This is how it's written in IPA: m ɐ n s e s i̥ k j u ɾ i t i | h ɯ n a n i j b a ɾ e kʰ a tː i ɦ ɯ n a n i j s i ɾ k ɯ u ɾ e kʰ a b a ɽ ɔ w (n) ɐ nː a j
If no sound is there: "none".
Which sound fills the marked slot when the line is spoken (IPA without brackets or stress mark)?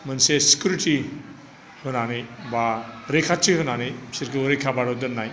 d